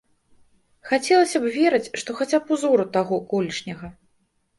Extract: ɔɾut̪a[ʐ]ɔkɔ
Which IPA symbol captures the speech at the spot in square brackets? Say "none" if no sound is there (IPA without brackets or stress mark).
ɣ